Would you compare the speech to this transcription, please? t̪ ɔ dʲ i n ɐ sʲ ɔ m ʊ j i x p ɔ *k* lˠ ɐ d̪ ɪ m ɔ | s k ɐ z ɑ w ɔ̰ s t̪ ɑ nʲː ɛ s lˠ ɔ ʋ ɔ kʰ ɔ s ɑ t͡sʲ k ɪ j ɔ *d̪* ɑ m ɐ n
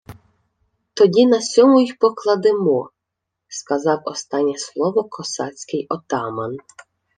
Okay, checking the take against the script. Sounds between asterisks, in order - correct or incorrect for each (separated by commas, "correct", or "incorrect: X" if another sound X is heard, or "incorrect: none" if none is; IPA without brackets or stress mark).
correct, incorrect: t̪